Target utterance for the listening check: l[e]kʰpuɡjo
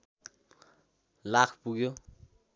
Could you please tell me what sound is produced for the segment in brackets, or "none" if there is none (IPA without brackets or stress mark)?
a